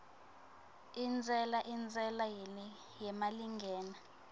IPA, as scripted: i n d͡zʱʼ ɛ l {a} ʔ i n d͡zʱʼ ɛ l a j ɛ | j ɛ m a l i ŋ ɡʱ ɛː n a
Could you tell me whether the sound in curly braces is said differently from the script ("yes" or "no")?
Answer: no